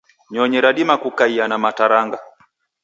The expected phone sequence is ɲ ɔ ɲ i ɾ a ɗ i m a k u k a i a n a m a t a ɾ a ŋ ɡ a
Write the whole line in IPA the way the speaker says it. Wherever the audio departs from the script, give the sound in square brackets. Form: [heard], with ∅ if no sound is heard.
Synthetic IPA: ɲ ɔ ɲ [ɛ] ɾ a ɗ i m a k u k a i a n a m a t a ɾ a ŋ ɡ a